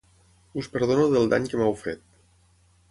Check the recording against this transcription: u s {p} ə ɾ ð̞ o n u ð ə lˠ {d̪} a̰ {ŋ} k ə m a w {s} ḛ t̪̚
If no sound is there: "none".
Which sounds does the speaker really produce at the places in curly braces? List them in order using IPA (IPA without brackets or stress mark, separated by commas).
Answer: p, d̪, ɲ, f